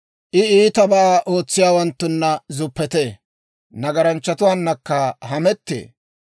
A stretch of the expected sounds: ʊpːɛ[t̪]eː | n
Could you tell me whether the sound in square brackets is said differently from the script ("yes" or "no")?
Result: no